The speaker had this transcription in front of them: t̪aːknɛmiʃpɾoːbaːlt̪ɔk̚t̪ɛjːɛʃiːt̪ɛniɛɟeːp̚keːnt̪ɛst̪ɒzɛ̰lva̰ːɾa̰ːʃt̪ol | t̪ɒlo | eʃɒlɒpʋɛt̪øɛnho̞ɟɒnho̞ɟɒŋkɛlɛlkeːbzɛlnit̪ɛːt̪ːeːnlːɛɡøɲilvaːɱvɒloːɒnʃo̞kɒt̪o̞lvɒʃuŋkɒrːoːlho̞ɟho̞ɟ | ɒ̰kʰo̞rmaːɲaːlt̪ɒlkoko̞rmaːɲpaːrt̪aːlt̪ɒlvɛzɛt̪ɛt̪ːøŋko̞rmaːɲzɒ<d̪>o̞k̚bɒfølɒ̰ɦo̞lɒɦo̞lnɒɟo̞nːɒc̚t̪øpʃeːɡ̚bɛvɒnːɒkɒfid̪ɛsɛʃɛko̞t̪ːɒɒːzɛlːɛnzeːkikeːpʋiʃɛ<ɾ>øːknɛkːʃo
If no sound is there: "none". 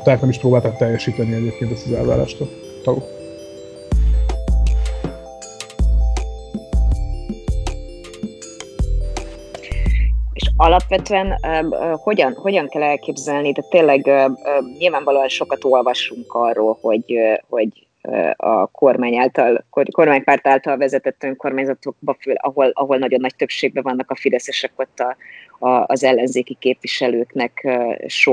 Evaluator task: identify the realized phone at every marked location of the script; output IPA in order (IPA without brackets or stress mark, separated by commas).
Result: t̪, l